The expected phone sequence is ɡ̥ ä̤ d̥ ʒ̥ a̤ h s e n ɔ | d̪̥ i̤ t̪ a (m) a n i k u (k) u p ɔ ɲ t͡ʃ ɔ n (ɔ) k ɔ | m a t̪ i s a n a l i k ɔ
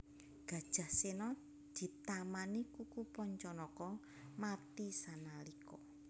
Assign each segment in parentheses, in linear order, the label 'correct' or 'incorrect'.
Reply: correct, correct, correct

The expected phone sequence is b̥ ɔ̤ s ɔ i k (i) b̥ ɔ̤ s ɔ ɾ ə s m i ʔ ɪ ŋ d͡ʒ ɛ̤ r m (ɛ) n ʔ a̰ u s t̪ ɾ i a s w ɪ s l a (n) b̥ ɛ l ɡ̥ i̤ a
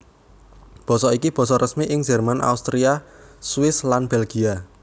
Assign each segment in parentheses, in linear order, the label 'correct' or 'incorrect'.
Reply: correct, incorrect: a, correct

